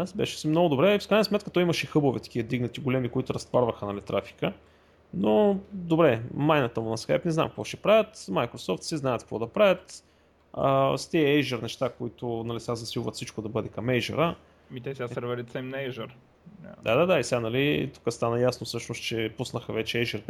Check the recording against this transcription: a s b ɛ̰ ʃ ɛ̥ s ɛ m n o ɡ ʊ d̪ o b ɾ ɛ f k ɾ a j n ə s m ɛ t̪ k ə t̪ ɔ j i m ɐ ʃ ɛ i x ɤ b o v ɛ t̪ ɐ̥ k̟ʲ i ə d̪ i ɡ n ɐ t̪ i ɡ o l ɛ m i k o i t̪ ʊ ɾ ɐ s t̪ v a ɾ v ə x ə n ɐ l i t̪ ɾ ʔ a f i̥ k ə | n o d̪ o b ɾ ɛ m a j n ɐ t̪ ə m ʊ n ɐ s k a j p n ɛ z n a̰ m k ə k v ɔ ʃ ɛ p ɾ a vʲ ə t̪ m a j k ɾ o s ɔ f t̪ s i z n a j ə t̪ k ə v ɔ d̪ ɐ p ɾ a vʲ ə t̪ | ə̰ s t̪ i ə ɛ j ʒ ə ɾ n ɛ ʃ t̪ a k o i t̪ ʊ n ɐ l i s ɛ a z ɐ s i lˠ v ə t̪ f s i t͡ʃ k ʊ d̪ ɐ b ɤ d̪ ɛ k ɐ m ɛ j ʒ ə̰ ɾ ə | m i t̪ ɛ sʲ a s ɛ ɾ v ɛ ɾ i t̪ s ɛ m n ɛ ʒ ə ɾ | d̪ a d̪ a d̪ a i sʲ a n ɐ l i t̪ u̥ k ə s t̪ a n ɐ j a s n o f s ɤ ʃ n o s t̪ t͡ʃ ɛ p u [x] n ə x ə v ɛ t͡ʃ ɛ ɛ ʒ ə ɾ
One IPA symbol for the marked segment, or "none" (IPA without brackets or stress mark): s